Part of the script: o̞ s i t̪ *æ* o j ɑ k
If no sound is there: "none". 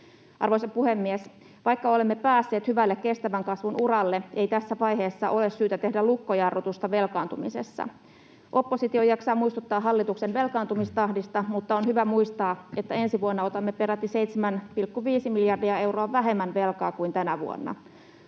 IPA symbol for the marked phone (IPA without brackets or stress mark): i